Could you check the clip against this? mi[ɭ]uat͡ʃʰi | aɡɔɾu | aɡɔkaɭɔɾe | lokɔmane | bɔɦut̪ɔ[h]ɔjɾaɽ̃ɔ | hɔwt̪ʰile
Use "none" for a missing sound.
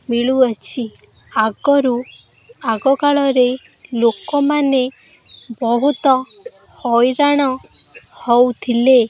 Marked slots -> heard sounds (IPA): ɭ, h

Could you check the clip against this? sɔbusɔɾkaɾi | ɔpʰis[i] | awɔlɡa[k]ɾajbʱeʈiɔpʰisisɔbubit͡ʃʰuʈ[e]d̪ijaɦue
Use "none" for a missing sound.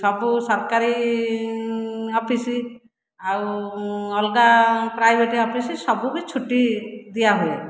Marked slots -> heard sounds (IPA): i, p, i

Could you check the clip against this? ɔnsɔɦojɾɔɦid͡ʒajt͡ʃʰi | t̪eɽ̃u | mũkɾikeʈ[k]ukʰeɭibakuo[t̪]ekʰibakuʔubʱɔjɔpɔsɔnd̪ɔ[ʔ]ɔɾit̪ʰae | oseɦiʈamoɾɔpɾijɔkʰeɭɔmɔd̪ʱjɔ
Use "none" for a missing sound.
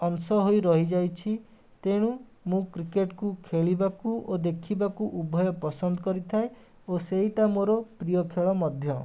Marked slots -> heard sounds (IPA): k, d̪, k

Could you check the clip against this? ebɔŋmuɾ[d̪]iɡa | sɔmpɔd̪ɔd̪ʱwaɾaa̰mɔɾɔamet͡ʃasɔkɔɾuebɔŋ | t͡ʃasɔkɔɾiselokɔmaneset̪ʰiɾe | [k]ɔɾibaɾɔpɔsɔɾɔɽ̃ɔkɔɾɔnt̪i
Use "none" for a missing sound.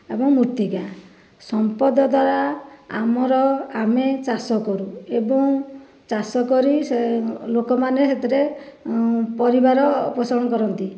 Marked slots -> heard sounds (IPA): t̪, p

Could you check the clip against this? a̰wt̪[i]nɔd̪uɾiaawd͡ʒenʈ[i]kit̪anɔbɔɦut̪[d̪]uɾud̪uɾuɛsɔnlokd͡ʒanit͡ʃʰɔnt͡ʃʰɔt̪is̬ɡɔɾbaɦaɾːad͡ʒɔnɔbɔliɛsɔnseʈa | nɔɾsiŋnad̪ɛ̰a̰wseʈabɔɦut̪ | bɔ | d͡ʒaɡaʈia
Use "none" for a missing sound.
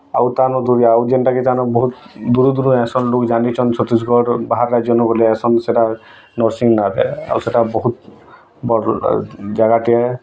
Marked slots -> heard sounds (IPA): a, a, d̪

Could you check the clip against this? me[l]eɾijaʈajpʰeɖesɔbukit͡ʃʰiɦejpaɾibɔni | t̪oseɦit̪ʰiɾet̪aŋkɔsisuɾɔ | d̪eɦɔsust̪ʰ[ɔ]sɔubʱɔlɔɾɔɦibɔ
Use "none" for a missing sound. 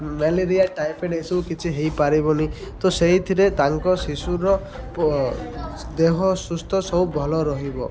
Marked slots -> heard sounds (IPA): l, ɔ

